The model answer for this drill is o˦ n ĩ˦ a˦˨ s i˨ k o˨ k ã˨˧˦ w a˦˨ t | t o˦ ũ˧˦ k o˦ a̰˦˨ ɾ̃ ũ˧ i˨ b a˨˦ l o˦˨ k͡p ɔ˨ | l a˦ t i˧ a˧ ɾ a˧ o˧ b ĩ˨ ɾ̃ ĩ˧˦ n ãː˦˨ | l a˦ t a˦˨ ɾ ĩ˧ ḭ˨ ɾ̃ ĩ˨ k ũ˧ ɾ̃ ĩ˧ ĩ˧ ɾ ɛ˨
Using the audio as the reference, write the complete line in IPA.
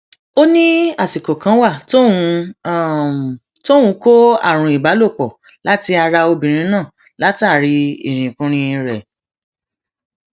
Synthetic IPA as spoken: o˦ n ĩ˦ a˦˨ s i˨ k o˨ k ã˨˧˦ w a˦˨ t | t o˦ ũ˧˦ k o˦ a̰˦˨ ɾ̃ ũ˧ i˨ b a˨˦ l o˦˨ k͡p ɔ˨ | l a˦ t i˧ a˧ ɾ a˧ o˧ b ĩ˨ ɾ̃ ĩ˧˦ n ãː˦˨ | l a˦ t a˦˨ ɾ i˧ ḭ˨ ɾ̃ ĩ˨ k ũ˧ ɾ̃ ĩ˧ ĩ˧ ɾ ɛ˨